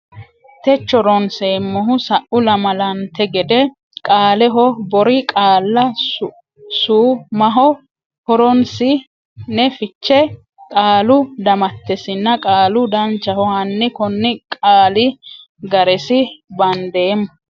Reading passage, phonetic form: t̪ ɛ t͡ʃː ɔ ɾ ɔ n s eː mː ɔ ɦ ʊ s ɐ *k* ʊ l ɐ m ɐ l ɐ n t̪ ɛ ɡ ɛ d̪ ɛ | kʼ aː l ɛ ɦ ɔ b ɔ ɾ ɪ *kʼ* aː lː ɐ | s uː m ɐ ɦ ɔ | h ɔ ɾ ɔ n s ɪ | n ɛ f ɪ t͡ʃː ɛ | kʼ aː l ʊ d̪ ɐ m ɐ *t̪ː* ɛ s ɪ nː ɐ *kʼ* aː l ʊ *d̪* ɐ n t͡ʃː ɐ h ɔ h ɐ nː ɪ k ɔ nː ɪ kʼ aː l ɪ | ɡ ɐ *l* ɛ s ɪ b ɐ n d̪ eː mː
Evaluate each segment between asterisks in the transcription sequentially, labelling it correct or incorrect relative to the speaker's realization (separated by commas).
incorrect, correct, correct, correct, correct, incorrect